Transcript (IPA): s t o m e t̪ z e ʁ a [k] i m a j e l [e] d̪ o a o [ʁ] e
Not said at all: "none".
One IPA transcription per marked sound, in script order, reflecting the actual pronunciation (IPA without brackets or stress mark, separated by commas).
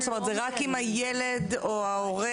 k, e, ʁ